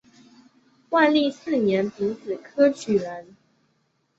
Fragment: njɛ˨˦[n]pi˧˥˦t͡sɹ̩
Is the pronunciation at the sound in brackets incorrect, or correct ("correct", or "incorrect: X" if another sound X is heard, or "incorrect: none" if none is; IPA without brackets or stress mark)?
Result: correct